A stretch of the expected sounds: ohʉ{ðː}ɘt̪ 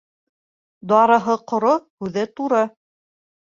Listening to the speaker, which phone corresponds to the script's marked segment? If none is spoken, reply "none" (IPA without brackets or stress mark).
ð